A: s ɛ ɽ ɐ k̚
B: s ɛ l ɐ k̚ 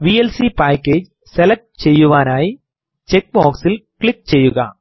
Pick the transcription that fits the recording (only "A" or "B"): B